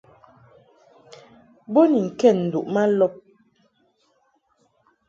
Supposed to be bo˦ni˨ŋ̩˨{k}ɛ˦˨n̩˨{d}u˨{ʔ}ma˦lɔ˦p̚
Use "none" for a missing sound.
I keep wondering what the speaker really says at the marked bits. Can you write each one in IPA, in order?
k, d, ʔ

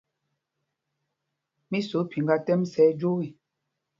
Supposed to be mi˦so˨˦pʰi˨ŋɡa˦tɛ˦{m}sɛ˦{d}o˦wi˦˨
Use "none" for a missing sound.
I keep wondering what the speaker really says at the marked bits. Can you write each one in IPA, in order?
m, d͡ʒ

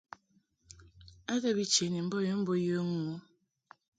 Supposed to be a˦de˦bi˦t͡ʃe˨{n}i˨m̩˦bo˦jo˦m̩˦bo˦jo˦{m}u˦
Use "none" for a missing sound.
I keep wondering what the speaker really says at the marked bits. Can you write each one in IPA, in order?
n, ŋ

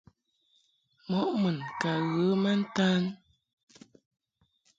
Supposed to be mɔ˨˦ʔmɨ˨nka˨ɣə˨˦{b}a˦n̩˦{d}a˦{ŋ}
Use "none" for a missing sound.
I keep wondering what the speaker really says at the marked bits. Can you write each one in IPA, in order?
m, t, n

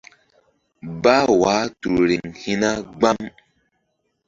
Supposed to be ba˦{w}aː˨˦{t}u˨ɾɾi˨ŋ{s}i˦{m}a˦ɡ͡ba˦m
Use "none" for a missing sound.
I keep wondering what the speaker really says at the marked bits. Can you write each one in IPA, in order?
w, t, h, n

